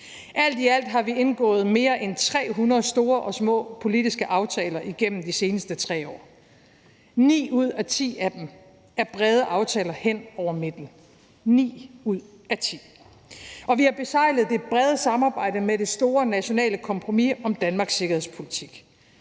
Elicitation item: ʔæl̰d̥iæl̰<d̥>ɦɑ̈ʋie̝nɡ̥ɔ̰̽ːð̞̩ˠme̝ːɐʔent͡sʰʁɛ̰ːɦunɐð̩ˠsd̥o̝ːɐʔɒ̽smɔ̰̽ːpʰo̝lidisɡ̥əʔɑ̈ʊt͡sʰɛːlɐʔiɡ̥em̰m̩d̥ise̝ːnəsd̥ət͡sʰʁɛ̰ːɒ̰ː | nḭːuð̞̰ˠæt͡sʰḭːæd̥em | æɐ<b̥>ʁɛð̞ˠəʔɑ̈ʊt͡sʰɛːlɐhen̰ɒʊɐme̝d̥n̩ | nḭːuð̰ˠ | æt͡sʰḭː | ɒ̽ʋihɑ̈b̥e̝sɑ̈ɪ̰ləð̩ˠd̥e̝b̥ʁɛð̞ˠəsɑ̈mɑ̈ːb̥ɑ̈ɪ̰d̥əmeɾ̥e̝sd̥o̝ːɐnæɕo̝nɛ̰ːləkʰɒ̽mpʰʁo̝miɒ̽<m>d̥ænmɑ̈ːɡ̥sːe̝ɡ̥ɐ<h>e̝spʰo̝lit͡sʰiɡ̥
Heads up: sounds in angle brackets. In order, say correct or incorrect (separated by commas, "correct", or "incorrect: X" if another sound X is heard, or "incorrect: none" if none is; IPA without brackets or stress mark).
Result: correct, correct, correct, correct